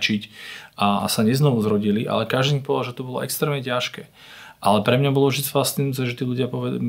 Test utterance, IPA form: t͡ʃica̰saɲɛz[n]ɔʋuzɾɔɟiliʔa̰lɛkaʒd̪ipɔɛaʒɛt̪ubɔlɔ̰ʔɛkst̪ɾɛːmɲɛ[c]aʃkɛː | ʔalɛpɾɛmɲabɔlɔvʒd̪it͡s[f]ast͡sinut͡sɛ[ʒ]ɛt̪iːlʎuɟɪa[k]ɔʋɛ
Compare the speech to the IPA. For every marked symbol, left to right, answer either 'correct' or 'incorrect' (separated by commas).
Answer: correct, correct, correct, correct, incorrect